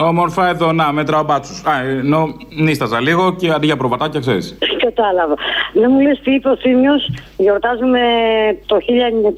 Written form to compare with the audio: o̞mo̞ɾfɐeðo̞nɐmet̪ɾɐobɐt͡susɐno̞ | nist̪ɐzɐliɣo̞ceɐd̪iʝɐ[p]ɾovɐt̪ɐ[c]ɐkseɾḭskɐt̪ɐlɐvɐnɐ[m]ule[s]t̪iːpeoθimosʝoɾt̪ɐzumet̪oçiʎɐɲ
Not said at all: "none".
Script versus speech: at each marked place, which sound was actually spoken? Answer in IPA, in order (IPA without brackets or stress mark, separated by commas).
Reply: p, c, m, s